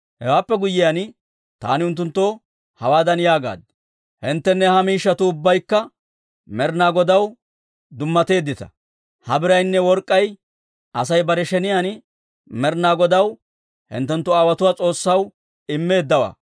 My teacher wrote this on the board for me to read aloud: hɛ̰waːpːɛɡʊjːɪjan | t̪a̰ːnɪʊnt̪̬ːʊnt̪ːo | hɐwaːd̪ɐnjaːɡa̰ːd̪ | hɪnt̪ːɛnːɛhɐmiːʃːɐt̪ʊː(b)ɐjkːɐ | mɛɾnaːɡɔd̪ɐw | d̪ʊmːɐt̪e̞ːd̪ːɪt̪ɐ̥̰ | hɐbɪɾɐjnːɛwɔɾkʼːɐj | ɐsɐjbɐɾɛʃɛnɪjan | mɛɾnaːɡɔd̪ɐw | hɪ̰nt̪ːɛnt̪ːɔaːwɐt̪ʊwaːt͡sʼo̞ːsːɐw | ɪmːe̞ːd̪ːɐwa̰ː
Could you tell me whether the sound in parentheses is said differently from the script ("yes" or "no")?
yes